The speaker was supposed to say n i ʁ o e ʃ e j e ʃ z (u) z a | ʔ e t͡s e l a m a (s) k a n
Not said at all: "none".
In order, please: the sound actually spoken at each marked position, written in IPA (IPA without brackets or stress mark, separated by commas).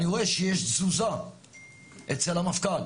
u, f